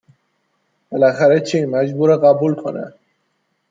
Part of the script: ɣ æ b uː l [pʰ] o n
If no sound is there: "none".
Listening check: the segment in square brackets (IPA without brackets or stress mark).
kʰ